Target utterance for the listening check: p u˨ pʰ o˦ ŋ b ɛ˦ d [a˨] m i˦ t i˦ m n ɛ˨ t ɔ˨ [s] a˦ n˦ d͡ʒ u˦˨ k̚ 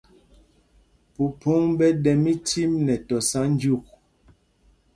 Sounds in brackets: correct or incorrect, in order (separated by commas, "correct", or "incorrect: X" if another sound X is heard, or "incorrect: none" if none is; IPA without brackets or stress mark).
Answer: incorrect: ɛ˨, correct